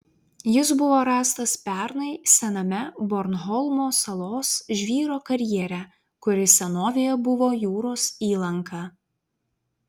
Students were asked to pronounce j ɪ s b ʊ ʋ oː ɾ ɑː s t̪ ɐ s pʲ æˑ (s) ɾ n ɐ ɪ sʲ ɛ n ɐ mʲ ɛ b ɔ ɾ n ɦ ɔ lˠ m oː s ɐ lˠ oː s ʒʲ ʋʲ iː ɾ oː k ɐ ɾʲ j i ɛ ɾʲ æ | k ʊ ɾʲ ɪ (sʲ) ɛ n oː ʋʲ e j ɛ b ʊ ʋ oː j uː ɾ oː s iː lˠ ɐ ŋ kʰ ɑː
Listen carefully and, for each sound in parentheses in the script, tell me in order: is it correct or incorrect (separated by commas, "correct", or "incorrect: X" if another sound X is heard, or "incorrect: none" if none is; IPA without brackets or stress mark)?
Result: incorrect: none, correct